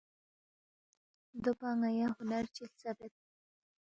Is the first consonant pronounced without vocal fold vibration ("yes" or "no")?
no